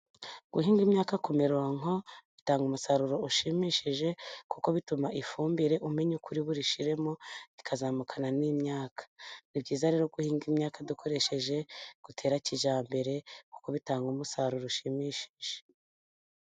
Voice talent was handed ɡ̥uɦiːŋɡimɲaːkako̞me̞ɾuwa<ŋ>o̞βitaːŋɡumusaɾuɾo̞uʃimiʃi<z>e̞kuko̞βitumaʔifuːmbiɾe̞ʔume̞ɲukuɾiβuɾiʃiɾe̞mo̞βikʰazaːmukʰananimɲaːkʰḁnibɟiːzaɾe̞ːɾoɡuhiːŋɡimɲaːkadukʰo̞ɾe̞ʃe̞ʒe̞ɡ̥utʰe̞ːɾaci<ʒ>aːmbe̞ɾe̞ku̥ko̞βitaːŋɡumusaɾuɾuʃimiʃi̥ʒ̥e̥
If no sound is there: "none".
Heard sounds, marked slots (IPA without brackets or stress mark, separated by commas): ŋ, ʒ, ʒ